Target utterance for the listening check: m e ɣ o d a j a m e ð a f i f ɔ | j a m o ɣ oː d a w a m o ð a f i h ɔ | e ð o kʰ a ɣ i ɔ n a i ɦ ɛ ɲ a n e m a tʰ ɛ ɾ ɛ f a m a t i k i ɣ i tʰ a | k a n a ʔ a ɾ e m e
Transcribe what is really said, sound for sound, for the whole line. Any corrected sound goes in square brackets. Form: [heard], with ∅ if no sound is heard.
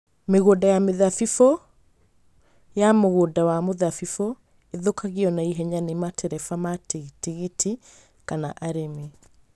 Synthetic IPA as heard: m e ɣ o d a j a m e ð a f i f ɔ | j a m o ɣ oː d a w a m o ð a f i [f] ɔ | e ð o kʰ a ɣ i ɔ n a i ɦ ɛ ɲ a n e m a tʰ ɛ ɾ ɛ f a m a t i [t] i ɣ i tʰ [i] | k a n a ʔ a ɾ e m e